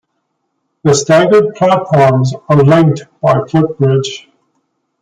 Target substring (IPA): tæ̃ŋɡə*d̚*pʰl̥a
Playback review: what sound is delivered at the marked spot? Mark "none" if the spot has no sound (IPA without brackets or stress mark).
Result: d̚